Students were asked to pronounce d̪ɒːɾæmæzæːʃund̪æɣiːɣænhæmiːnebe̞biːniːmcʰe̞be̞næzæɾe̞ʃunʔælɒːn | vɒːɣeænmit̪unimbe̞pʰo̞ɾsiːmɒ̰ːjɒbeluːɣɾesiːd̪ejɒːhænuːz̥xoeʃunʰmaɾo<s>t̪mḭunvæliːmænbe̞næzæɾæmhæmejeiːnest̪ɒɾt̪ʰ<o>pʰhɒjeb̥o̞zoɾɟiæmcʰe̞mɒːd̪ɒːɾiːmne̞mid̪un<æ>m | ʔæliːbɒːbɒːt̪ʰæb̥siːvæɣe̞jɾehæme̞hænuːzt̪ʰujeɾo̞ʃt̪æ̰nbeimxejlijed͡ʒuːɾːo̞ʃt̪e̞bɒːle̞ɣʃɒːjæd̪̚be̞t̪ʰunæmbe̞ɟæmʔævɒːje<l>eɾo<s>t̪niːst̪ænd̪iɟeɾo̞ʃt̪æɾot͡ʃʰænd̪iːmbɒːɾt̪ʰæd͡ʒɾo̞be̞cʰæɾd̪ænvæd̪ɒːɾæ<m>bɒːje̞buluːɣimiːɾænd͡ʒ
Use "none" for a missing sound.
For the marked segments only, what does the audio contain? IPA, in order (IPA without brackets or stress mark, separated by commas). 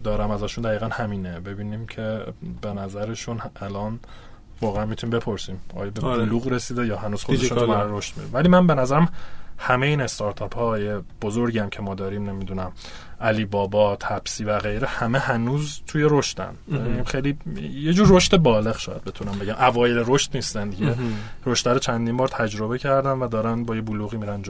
ʃ, ɒ, æ, l, ʃ, n